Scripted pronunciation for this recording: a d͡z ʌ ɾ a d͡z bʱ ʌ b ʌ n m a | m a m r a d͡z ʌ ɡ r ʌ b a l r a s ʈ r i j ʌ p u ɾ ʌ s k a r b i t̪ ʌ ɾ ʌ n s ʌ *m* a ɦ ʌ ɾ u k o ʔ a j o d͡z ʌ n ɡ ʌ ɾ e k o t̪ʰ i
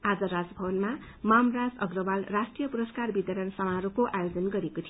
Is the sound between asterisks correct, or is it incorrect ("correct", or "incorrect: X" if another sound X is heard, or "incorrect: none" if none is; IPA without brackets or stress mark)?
correct